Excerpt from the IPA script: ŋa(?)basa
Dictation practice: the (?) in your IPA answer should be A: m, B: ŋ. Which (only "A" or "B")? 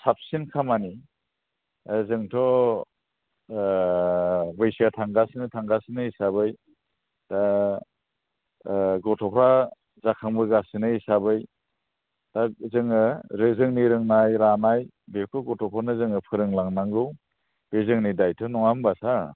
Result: A